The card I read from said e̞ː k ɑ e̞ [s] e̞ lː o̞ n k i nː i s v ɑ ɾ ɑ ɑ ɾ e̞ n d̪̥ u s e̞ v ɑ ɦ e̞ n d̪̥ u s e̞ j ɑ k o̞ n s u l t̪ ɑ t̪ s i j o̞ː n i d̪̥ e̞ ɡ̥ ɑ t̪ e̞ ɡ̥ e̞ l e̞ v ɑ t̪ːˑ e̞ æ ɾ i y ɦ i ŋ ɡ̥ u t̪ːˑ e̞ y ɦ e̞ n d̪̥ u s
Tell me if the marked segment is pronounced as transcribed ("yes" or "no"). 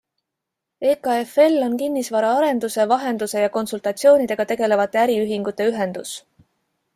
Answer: no